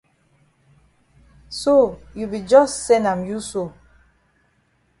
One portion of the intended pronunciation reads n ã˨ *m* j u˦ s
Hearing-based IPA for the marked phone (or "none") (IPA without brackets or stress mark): m